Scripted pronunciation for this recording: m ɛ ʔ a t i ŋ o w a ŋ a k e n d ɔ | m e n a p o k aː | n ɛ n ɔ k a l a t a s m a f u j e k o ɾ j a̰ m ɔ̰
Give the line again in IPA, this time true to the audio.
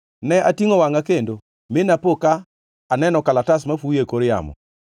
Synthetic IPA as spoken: n ɛ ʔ a t i ŋ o w a ŋ a k e n d o | m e n a p o k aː | n ɛ n ɔ k a l a t a s m a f u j e k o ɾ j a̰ m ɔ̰